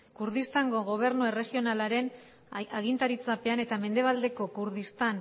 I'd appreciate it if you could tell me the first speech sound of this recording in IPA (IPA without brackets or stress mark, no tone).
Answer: k